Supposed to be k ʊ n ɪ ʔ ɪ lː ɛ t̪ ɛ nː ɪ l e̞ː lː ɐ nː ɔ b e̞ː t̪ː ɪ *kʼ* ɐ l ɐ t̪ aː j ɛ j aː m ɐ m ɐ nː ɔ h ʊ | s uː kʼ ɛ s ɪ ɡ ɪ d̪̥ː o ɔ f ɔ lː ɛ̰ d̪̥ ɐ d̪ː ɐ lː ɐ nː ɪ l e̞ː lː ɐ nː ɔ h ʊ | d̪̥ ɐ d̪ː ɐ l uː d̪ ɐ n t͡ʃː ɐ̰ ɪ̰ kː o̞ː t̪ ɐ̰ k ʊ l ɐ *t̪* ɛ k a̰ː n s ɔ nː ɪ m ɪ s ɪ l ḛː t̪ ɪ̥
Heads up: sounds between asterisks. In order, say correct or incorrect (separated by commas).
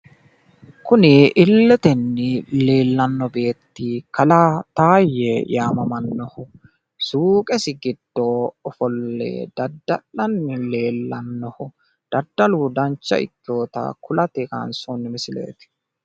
incorrect, correct